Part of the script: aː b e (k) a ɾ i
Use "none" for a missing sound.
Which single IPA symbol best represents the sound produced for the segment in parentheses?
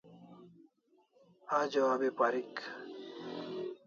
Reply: p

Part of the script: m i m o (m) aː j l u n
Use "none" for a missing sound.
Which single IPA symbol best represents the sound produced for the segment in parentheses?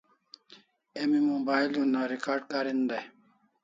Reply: b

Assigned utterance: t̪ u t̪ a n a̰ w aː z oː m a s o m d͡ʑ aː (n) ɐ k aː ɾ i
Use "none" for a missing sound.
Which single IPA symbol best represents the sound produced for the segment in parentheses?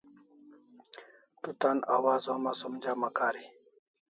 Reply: m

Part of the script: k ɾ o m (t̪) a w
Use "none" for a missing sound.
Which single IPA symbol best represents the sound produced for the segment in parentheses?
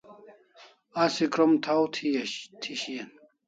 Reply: t̪ʰ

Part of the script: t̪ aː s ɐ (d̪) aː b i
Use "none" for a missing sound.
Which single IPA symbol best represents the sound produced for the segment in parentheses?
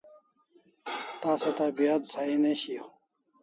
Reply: t̪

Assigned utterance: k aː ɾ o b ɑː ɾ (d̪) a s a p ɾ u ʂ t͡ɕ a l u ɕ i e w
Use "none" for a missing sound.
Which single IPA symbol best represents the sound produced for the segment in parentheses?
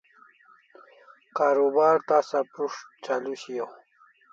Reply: t̪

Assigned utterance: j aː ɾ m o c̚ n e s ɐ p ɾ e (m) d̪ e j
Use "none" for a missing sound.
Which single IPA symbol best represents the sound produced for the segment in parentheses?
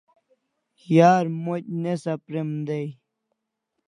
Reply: m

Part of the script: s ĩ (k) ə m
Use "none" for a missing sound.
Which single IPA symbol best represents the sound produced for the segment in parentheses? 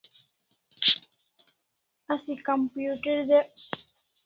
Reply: k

